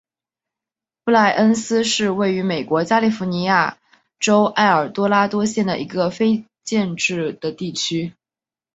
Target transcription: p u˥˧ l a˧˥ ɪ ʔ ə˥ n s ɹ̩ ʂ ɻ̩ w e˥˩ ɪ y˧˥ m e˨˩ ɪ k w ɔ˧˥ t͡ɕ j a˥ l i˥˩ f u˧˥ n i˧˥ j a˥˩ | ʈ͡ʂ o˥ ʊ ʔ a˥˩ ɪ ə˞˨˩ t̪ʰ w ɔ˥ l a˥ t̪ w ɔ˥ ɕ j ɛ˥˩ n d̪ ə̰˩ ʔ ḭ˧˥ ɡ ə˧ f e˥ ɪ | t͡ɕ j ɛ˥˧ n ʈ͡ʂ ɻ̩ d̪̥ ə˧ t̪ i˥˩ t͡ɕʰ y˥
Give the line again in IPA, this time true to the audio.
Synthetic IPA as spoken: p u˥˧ l a˥˩ ɪ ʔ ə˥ n s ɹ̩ ʂ ɻ̩ w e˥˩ ɪ y˧˥ m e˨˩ ɪ k w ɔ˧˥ t͡ɕ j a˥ l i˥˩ f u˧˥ n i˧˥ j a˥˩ | ʈ͡ʂ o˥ ʊ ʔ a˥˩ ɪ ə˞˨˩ t̪ w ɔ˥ l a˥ t̪ w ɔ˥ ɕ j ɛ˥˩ n d̪ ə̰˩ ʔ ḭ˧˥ ɡ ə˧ f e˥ ɪ | t͡ɕ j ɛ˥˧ n ʈ͡ʂ ɻ̩ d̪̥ ə˩ t̪ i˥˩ t͡ɕʰ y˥

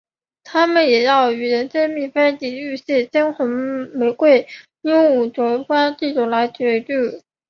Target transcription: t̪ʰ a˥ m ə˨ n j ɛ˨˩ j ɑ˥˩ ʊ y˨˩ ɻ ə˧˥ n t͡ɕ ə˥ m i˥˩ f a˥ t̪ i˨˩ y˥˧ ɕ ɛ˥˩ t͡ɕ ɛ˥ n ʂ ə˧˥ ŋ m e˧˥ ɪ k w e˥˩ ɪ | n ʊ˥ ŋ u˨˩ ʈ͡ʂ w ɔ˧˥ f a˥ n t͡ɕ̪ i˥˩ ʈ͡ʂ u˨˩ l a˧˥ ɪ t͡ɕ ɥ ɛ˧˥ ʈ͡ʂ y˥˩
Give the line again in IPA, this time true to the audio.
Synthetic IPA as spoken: t̪ʰ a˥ m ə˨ n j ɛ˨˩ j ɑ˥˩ ʊ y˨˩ ɻ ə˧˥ n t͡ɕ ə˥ m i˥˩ f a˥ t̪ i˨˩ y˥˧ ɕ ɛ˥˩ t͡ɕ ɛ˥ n x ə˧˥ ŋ m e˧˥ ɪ k w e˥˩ ɪ | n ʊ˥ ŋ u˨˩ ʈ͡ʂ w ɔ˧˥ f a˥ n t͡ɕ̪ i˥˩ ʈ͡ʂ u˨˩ l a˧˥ ɪ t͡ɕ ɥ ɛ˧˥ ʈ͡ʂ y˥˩

